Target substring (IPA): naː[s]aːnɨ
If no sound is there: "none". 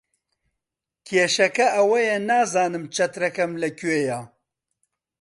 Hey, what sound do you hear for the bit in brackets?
z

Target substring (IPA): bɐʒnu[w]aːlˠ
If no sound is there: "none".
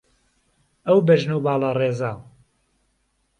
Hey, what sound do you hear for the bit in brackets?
b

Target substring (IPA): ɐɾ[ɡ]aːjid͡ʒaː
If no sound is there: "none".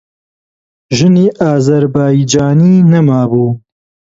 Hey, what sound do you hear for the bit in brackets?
b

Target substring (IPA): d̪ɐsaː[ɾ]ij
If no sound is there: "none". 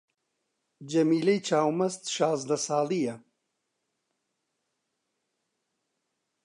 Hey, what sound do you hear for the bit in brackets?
l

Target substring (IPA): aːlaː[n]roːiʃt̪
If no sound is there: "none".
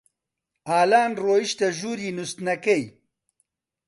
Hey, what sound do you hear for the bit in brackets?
n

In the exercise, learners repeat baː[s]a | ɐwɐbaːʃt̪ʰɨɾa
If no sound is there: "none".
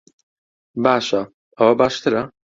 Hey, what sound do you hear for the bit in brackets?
ʃ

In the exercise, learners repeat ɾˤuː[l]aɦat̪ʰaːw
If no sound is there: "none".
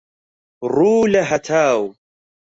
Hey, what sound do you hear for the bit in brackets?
l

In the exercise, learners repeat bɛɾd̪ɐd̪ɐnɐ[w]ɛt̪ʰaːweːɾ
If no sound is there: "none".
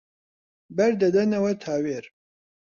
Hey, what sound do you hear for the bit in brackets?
w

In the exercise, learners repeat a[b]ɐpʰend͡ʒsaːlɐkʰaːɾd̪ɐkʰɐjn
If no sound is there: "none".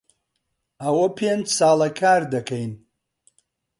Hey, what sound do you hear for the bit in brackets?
w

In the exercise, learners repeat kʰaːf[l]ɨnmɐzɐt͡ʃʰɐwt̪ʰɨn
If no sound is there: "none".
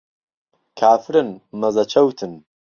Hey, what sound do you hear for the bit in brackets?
ɾ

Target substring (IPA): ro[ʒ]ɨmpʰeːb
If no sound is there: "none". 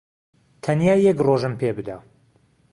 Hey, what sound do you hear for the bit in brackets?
ʒ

